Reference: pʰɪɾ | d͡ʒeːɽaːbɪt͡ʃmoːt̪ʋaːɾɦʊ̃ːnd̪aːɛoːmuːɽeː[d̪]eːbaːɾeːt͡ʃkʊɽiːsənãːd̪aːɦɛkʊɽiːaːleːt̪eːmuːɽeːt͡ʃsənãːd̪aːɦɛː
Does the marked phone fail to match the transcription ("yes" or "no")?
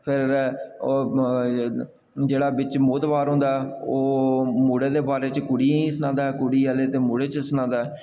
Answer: no